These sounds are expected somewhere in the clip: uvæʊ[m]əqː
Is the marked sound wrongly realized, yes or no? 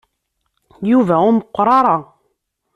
no